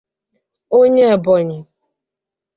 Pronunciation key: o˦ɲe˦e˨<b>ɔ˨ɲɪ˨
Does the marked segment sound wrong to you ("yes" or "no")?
no